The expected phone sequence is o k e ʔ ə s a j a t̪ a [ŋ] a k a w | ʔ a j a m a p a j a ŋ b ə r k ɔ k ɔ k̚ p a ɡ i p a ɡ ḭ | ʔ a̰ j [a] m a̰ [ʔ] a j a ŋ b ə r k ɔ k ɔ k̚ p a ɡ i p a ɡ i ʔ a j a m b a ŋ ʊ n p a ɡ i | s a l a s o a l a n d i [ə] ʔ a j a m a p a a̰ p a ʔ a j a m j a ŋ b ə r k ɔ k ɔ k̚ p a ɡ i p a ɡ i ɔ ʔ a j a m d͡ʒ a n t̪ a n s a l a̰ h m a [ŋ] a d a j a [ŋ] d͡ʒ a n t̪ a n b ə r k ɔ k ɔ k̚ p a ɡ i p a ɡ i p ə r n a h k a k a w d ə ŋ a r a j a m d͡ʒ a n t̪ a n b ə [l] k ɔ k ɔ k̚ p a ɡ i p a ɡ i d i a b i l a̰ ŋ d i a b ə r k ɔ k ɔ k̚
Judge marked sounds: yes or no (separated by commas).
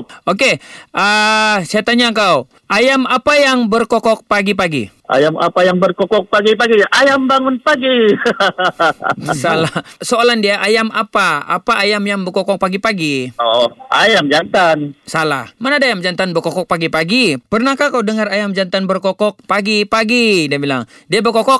no, yes, no, no, no, no, no